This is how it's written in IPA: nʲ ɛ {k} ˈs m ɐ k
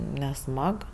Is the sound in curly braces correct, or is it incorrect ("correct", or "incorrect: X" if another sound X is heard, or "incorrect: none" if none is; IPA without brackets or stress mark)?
incorrect: none